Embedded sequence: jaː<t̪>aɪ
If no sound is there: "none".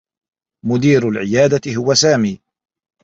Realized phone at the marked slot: d̪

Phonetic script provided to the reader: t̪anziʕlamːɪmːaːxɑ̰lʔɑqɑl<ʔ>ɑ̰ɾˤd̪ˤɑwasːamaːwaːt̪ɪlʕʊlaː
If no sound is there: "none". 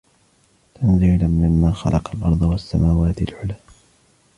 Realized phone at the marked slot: ʔ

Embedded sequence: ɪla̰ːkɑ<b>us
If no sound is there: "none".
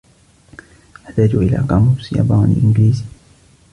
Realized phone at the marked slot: m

